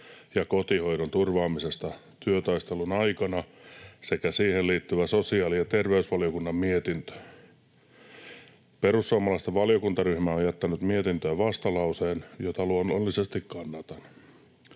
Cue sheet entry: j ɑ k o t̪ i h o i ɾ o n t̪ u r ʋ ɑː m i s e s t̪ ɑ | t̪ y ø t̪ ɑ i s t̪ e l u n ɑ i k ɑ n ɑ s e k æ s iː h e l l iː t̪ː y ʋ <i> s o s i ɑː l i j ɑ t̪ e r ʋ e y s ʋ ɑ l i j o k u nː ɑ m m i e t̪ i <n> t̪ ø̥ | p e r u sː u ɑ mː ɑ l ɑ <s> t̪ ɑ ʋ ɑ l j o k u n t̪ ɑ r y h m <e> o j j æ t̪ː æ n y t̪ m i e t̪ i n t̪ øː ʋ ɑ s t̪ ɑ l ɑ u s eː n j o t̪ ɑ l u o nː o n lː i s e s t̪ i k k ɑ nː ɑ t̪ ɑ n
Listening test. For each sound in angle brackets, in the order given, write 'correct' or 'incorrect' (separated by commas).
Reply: incorrect, correct, correct, incorrect